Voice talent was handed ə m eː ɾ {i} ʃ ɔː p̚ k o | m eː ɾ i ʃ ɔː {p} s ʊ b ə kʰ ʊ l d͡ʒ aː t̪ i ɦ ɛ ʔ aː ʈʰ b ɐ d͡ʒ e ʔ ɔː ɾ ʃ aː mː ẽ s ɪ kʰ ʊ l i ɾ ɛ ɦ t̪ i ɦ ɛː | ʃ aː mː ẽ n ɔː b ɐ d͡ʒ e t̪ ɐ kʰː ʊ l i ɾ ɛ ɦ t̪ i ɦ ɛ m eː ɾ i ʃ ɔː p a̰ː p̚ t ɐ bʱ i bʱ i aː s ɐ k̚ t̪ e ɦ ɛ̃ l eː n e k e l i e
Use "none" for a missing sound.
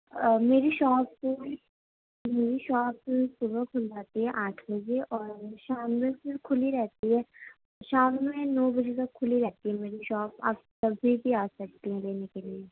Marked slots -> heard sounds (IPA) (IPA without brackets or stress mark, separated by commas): i, p